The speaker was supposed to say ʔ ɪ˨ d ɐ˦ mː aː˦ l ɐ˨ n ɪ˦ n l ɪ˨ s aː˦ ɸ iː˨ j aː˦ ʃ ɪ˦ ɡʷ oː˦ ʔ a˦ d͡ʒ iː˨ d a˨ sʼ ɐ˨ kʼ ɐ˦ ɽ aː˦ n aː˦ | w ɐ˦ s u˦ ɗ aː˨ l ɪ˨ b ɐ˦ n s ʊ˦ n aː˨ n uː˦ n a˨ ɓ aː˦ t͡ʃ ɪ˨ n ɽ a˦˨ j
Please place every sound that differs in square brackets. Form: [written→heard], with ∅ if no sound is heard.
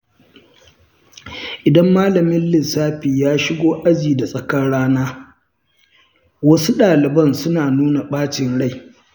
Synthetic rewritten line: ʔ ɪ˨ d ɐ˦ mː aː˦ l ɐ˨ [n→m] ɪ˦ n l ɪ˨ s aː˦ ɸ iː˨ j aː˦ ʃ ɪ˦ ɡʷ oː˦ ʔ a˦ d͡ʒ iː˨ d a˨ sʼ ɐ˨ [kʼ→k] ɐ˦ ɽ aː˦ n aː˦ | w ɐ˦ s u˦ ɗ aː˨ l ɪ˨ b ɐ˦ n s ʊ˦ n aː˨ n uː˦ n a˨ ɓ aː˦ t͡ʃ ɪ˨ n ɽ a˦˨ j